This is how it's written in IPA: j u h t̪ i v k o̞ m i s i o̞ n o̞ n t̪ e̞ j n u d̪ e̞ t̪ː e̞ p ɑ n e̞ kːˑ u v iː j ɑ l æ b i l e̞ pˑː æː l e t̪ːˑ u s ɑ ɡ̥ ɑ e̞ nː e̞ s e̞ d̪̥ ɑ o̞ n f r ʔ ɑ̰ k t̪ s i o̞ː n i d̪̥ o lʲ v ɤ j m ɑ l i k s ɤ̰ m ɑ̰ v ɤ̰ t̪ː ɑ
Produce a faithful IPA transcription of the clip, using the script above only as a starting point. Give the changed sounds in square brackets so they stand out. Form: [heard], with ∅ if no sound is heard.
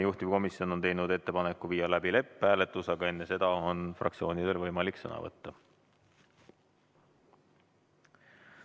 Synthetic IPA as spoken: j u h t̪ i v k o̞ m i s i o̞ n o̞ n t̪ e̞ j n u d̪ e̞ t̪ː e̞ p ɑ n e̞ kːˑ u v iː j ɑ l æ b i l e̞ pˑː æː l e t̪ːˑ u s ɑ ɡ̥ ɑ e̞ nː e̞ s e̞ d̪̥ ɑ o̞ n f r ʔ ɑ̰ k t̪ s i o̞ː n i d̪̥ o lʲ v ɤ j m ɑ l i k s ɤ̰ [n] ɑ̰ v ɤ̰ t̪ː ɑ